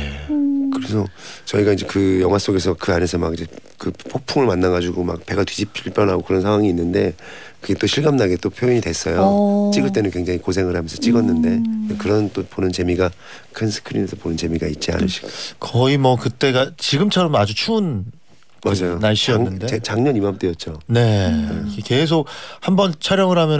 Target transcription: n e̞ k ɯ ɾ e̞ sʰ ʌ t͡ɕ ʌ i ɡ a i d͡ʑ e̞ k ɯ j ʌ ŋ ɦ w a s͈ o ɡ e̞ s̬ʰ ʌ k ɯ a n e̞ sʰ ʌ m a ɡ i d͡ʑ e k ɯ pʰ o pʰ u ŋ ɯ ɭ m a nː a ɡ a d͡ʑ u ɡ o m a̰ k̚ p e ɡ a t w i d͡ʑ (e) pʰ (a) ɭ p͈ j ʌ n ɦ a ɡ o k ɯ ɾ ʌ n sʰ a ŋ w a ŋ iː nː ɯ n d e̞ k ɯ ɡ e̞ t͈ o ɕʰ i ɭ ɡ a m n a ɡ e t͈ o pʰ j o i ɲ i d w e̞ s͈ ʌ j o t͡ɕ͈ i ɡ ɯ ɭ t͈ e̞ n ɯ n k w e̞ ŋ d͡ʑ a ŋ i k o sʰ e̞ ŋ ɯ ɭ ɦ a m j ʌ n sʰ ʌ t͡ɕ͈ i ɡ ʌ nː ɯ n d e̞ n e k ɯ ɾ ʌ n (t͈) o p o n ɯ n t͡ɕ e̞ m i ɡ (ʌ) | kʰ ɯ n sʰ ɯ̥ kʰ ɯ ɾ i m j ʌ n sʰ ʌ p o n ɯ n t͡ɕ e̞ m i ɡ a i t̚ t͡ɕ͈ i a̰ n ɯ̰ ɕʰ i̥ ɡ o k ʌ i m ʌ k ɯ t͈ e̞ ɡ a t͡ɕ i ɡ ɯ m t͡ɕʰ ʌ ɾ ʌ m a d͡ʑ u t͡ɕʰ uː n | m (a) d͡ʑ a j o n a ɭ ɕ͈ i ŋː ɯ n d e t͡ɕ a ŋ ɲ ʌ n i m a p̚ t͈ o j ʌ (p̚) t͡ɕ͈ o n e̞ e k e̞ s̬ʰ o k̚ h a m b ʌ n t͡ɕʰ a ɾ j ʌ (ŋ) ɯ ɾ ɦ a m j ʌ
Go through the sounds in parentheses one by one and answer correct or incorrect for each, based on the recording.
incorrect, incorrect, correct, incorrect, correct, incorrect, correct

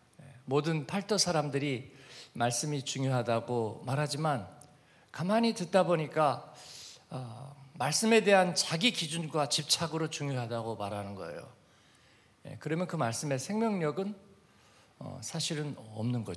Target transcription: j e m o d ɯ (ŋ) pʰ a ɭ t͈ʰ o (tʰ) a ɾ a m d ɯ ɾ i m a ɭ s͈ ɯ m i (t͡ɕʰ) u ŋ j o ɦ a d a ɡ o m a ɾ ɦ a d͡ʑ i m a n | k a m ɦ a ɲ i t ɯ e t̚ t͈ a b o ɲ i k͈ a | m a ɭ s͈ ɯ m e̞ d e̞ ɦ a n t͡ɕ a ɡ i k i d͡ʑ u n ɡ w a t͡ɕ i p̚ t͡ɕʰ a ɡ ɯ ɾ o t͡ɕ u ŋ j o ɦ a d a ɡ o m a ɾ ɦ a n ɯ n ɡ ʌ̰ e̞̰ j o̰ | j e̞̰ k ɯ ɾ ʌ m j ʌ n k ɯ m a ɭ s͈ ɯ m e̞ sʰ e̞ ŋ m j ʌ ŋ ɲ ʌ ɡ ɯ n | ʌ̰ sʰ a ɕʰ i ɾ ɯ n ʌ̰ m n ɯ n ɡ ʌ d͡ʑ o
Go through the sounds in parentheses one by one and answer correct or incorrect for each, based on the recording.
incorrect, incorrect, incorrect

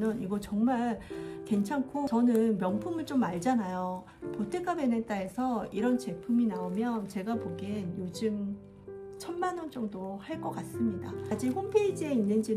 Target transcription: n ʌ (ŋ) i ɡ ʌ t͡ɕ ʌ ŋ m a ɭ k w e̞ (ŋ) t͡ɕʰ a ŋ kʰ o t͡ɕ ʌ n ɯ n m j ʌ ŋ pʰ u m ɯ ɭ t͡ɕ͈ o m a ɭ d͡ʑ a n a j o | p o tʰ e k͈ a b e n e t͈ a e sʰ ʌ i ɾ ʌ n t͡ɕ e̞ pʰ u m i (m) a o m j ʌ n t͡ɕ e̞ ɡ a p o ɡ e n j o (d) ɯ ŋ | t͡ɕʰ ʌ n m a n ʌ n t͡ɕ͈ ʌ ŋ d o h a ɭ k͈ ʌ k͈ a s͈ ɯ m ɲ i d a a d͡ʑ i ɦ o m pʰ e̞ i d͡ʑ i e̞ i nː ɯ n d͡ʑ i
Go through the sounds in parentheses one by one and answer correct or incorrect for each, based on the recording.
incorrect, incorrect, incorrect, incorrect

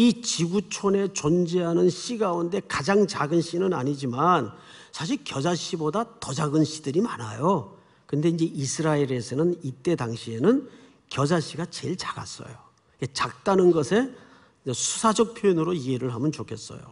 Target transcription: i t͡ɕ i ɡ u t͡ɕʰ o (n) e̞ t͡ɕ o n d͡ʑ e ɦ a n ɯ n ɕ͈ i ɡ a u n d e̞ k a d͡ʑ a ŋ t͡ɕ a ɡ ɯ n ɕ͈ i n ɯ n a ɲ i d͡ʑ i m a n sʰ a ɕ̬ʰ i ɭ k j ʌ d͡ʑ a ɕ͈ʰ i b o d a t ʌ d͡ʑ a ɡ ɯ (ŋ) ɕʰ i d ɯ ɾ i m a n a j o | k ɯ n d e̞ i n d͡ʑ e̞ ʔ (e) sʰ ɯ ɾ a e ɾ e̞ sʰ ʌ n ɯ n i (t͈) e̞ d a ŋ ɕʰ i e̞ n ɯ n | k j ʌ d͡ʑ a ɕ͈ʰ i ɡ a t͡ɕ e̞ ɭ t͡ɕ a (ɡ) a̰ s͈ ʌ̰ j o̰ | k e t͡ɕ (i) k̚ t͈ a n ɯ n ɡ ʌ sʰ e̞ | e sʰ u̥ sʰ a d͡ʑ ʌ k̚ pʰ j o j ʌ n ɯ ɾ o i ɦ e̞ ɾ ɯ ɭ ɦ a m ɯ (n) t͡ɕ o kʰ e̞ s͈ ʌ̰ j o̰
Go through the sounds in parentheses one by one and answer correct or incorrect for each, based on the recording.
correct, incorrect, incorrect, correct, correct, incorrect, correct

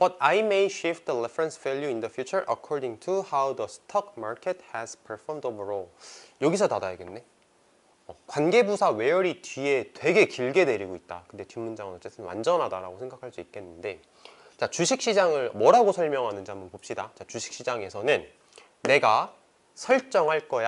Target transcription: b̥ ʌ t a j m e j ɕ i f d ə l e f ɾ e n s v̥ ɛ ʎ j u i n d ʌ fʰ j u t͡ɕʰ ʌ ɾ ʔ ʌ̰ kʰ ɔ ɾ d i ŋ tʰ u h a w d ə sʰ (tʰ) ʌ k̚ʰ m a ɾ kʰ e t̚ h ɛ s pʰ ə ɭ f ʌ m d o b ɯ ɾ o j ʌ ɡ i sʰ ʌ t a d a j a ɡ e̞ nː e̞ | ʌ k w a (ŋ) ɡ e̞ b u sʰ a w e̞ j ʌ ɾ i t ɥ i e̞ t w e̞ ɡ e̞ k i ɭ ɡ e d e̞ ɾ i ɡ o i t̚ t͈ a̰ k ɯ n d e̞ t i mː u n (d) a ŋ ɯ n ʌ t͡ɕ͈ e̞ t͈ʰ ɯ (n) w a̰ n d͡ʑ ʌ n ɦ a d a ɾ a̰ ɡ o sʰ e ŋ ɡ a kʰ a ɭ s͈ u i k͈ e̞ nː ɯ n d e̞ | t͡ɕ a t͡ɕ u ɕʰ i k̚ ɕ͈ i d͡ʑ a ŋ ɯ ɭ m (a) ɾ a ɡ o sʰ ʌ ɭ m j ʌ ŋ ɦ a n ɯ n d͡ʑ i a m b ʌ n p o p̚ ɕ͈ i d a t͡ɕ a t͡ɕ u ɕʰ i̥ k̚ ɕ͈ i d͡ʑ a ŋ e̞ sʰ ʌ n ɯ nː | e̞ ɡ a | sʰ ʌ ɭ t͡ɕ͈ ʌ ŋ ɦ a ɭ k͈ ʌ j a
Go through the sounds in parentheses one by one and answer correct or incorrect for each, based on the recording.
correct, incorrect, incorrect, correct, incorrect

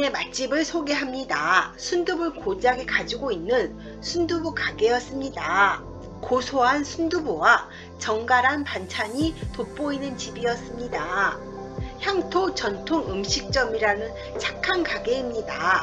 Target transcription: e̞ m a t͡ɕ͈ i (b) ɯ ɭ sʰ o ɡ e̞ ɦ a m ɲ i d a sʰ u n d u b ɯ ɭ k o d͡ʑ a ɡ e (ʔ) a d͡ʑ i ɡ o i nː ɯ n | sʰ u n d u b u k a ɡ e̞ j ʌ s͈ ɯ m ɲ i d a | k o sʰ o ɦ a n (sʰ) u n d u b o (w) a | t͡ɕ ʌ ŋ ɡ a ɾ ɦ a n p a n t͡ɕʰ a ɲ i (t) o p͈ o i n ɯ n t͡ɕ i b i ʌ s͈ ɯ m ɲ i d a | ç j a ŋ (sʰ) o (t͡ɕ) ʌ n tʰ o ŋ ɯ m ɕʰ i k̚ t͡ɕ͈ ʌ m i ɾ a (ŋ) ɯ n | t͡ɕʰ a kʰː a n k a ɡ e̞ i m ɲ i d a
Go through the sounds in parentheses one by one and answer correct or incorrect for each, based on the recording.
correct, incorrect, correct, correct, correct, incorrect, correct, incorrect

